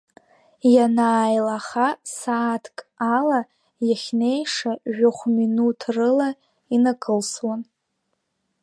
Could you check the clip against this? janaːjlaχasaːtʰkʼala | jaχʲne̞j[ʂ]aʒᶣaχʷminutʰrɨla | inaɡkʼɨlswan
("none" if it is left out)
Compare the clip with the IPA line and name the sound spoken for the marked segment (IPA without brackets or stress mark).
ʂ